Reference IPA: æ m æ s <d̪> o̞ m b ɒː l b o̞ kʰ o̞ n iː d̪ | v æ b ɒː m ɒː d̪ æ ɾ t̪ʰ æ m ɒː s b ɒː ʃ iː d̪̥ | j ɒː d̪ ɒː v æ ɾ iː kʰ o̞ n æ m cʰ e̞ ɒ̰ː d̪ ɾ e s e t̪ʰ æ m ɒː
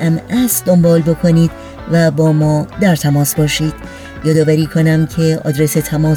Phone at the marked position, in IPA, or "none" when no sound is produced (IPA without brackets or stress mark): d̪